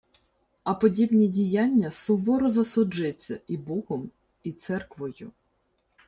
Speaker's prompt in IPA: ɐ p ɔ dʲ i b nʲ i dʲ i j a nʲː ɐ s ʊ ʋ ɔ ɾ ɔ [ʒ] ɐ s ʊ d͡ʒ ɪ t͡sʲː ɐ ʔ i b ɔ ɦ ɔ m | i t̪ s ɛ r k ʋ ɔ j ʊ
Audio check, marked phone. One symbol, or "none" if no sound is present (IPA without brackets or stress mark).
z